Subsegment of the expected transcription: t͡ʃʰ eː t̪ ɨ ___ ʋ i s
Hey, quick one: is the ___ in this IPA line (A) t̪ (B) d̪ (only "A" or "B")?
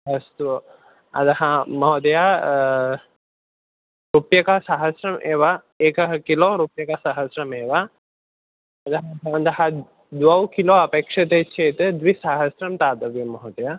B